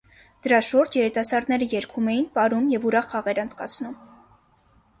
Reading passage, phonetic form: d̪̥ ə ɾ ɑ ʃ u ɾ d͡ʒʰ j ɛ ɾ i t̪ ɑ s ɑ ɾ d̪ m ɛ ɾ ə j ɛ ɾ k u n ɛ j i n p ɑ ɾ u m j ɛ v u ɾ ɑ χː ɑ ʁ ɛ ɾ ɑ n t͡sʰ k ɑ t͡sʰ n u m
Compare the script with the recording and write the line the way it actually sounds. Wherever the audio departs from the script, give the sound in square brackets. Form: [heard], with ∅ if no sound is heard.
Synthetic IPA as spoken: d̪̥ ə ɾ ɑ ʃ u ɾ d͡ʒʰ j ɛ ɾ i t̪ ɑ s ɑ ɾ d̪ [n] ɛ ɾ ə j ɛ ɾ [kʰ] u [m] ɛ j i n p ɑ ɾ u m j ɛ v u ɾ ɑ χː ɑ ʁ ɛ ɾ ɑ n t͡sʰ k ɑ t͡sʰ n u m